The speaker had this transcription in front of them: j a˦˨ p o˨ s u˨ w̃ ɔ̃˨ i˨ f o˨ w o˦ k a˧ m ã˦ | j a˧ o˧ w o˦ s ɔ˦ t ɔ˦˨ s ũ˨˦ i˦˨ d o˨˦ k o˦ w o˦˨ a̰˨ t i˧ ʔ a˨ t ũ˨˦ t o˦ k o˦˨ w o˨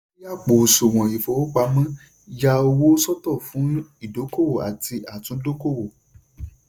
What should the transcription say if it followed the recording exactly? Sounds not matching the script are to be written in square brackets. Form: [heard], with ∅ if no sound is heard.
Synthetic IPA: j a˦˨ [k͡p] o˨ s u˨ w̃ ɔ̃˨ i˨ f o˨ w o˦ [k͡p] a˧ m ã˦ | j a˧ o˧ w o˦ s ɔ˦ t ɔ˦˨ [f] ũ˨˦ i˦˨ d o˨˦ k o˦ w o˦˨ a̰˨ t i˧ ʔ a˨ t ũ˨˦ [d] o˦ k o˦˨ w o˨

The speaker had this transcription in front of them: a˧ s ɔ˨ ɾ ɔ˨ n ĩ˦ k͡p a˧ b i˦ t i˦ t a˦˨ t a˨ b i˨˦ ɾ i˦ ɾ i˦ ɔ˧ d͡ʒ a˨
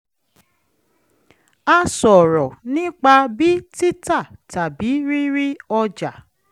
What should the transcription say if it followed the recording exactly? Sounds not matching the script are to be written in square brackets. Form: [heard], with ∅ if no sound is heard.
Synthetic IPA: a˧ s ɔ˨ ɾ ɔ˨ n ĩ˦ k͡p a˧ b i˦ t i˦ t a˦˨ t a˨ b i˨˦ ɾ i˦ ɾ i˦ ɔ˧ d͡ʒ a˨

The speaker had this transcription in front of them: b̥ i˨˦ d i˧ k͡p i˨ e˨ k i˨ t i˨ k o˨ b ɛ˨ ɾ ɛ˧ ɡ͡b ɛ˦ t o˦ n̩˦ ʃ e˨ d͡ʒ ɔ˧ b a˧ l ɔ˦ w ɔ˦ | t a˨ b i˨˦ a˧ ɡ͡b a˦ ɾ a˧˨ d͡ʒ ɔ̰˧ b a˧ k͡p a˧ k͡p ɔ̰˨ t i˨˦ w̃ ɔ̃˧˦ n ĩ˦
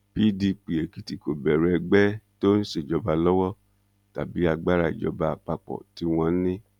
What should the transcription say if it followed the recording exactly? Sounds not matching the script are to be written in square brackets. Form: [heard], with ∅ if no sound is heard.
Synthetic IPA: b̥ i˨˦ d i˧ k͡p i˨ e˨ k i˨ t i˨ k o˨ b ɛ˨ ɾ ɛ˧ ɡ͡b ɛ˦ t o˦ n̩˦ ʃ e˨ d͡ʒ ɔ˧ b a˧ l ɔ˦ w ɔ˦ | t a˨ b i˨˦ a˧ ɡ͡b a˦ ɾ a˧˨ d͡ʒ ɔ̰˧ b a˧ k͡p a˧ k͡p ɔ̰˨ t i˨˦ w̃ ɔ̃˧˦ n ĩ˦

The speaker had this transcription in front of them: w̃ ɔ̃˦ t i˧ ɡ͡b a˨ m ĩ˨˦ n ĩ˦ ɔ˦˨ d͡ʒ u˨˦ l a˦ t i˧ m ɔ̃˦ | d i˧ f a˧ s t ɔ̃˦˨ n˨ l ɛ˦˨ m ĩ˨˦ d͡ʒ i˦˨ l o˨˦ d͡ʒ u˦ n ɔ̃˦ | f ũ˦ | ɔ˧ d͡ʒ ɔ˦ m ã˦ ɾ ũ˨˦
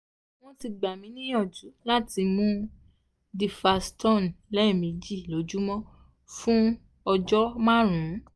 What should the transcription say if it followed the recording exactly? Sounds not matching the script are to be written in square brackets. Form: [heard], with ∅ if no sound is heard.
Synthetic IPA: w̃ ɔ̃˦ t i˧ ɡ͡b a˨ m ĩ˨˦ n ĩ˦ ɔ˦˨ d͡ʒ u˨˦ l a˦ t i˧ m [ũ˦] | d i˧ f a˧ s t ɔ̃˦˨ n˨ l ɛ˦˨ m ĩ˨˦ d͡ʒ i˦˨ l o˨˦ d͡ʒ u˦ [m] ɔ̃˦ | f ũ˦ | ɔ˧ d͡ʒ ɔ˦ m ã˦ ɾ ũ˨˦

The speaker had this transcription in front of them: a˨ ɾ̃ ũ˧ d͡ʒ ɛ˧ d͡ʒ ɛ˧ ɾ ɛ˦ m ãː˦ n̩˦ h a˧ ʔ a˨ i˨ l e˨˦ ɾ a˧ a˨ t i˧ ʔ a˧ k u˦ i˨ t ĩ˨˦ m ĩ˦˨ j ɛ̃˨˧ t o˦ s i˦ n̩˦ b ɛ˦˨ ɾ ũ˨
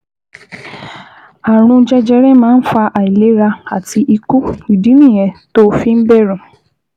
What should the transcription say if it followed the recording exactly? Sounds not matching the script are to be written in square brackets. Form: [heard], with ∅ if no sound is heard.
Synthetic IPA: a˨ ɾ̃ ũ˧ d͡ʒ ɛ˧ d͡ʒ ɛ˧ ɾ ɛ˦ m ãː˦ n̩˦ [f] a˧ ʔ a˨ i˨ l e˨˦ ɾ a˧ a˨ t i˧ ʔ [i˧] k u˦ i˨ [d] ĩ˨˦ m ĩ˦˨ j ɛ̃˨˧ t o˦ [f] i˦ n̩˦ b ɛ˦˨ ɾ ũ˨

